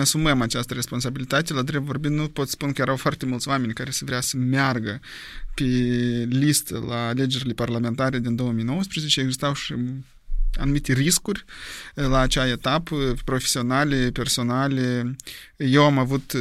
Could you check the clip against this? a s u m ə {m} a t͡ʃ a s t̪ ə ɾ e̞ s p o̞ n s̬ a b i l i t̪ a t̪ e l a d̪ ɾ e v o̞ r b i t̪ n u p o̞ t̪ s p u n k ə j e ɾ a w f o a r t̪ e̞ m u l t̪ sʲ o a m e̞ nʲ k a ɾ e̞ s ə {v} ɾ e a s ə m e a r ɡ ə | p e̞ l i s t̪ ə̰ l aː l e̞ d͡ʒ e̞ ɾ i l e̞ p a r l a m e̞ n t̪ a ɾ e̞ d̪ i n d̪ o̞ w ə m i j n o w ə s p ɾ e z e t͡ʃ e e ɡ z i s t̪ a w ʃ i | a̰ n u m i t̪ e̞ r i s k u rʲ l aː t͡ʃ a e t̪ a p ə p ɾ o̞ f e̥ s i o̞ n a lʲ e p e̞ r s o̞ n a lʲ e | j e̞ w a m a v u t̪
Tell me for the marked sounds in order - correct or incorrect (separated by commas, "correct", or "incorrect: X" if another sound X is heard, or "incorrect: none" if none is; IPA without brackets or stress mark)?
correct, correct